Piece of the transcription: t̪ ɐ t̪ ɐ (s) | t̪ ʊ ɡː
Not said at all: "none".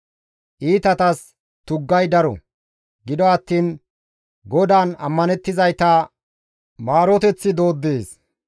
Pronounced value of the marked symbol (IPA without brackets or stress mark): s